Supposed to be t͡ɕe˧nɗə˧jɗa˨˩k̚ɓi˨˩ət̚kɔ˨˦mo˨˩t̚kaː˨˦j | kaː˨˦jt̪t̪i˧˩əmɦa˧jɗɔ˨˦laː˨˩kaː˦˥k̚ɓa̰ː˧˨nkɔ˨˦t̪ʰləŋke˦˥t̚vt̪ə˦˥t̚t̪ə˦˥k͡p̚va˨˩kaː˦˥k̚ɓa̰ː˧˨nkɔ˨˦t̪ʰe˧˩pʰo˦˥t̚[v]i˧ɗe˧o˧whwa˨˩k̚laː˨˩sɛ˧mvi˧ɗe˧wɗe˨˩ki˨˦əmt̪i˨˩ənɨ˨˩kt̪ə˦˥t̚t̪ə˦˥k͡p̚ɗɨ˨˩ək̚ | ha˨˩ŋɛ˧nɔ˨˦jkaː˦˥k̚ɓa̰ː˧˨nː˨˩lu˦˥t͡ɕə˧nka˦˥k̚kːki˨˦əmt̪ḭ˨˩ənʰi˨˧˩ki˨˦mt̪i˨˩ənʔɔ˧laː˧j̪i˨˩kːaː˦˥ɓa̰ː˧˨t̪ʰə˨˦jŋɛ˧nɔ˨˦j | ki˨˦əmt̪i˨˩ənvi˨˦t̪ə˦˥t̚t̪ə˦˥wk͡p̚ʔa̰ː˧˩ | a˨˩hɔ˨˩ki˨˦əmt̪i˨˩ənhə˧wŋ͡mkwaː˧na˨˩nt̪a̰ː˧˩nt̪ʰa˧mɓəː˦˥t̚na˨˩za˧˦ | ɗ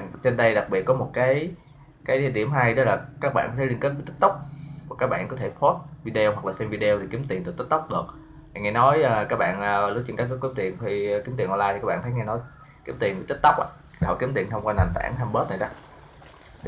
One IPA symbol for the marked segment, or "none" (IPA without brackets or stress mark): v